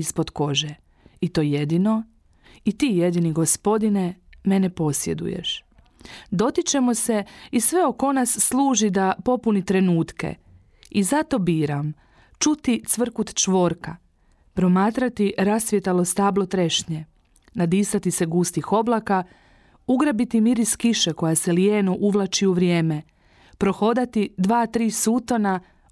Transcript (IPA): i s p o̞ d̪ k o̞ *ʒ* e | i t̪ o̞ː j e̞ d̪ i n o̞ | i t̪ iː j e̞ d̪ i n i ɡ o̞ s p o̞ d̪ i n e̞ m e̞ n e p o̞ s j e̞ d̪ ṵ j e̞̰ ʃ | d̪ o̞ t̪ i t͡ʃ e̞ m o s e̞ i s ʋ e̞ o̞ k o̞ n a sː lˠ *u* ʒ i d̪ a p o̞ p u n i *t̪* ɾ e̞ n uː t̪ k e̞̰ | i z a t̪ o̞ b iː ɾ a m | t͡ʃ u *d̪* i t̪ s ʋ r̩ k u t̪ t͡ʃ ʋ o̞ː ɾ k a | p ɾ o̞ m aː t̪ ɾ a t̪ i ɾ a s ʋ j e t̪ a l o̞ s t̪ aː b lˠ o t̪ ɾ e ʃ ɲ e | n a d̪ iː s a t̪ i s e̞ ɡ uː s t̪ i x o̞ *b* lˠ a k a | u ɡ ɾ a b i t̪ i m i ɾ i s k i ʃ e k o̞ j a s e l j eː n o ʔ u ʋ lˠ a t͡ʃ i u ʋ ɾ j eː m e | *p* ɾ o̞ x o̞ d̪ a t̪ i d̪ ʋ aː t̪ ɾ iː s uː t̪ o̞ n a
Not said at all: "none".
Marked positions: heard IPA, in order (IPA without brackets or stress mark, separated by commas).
ʒ, uː, t̪, t̪, b, p